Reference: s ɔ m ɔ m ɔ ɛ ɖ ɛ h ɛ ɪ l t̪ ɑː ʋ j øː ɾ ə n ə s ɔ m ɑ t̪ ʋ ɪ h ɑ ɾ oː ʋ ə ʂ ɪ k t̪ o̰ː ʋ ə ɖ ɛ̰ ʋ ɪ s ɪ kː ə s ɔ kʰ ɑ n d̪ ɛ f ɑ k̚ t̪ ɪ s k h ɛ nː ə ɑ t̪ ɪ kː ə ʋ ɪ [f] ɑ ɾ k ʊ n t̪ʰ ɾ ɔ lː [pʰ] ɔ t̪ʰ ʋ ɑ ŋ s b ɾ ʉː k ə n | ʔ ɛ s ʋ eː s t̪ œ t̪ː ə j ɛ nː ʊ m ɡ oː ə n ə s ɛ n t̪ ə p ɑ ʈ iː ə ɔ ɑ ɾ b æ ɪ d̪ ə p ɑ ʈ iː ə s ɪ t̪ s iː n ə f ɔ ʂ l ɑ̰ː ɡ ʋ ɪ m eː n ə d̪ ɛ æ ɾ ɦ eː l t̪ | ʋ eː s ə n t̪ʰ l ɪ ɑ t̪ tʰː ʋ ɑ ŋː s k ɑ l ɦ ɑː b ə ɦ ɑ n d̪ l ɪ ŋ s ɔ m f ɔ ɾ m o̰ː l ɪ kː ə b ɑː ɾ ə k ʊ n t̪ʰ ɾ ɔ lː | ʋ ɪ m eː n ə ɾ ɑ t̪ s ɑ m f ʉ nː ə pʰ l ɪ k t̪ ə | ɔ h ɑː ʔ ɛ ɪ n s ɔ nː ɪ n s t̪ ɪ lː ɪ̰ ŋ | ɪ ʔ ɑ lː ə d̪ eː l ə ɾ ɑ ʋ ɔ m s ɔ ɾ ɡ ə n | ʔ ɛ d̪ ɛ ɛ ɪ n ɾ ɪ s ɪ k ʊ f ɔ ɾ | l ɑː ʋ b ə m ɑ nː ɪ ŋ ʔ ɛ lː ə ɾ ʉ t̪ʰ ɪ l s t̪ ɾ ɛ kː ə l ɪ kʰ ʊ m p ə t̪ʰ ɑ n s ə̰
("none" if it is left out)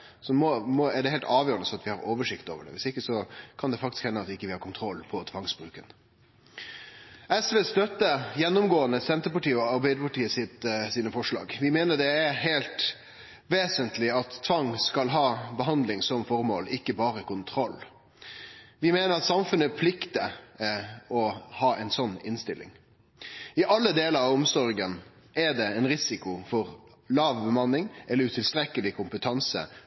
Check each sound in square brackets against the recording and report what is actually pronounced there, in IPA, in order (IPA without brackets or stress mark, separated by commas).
h, pʰ